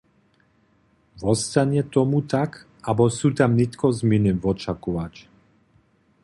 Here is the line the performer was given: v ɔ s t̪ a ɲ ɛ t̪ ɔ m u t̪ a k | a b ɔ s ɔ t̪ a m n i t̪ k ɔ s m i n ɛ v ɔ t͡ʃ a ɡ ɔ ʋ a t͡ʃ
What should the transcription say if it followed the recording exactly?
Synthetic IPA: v ɔ s t̪ a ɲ ɛ t̪ ɔ m u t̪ a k | a b ɔ s u t̪ a m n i t̪ k ɔ z m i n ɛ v ɔ t͡ʃ a k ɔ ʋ a t͡ʃ